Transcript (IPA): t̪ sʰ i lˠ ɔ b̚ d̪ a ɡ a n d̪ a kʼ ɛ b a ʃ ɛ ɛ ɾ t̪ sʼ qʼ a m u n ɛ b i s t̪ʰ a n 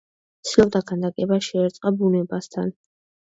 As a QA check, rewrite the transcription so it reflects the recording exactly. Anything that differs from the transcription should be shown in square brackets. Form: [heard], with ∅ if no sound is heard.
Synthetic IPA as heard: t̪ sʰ i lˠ ɔ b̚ d̪ a ɡ a n d̪ a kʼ ɛ b a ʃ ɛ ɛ ɾ t̪ sʼ qʼ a [b] u n ɛ b [a] s t̪ʰ a n